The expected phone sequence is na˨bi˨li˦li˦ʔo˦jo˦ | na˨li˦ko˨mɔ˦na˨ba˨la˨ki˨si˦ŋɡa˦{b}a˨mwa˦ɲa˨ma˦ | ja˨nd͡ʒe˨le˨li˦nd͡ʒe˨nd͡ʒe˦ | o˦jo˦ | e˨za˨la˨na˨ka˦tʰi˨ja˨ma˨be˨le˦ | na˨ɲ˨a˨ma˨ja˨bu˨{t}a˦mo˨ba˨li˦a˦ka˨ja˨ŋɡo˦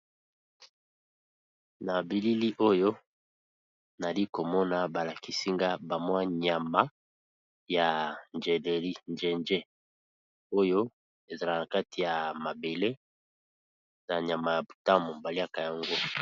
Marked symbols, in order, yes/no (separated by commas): yes, yes